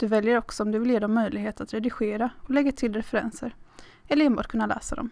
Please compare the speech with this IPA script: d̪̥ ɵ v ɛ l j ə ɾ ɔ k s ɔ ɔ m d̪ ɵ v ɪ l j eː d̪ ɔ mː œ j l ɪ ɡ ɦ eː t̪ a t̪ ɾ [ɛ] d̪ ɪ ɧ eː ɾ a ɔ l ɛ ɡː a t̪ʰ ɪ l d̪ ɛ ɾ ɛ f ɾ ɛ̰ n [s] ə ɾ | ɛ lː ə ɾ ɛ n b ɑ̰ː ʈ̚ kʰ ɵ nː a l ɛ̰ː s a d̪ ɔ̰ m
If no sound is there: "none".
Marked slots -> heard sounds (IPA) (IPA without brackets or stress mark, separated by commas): ɛ, s